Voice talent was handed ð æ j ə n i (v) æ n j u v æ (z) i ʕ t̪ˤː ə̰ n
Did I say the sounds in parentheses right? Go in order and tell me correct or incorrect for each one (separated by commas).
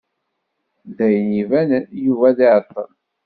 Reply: correct, incorrect